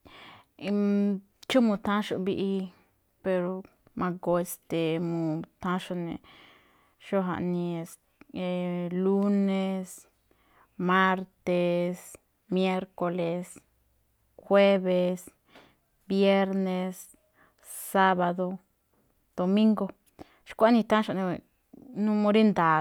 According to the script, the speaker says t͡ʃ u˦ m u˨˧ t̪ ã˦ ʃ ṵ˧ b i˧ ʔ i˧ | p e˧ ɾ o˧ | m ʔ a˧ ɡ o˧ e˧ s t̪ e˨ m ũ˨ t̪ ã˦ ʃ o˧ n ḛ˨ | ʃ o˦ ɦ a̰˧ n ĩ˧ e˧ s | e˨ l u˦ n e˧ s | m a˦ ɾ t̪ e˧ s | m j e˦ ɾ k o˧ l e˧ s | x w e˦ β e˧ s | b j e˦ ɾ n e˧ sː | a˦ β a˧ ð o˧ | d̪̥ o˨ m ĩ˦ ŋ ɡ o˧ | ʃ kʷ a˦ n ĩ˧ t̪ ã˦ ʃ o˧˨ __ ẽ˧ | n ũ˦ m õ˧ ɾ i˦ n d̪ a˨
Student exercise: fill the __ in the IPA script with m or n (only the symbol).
n